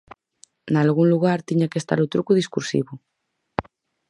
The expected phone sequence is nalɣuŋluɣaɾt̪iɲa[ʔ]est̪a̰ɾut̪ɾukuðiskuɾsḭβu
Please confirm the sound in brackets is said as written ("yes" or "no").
no